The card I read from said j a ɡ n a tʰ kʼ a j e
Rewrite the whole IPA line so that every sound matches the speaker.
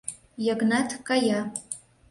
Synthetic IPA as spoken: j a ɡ n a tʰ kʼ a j a